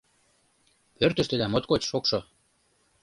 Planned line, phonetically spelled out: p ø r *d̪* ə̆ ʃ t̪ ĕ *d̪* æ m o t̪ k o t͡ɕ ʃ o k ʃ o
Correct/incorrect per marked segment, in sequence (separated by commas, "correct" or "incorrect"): incorrect, correct